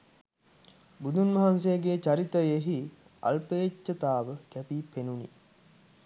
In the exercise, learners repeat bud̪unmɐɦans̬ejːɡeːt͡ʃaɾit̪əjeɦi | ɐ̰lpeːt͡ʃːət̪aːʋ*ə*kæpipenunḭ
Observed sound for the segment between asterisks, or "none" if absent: ə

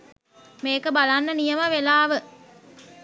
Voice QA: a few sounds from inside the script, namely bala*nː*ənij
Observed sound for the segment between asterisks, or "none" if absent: nː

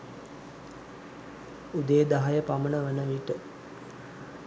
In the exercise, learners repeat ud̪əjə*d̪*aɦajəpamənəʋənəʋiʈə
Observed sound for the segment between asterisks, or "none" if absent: d̪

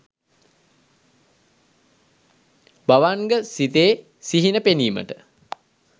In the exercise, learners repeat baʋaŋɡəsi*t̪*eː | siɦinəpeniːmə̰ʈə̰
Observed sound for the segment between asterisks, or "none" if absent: t̪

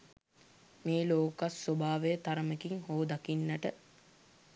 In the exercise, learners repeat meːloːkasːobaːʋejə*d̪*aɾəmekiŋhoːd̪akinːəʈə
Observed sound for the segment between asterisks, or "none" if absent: t̪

